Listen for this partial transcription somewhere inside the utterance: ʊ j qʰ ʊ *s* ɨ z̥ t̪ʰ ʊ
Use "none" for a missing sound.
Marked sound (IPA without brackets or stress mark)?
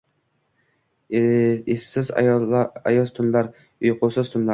s